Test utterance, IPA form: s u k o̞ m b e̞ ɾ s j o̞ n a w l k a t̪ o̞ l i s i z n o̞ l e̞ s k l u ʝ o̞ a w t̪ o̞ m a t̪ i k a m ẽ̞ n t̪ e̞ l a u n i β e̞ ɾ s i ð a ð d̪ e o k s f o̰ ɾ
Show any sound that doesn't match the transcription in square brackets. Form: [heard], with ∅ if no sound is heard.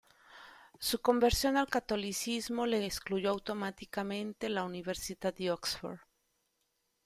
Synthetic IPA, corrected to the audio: s u k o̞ m b e̞ ɾ s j o̞ n a [∅] l k a t̪ o̞ l i s i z [m] o̞ l e̞ s k l u ʝ o̞ a w t̪ o̞ m a t̪ i k a m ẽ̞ n t̪ e̞ l a u n i β e̞ ɾ s i ð a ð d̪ e o k s f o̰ ɾ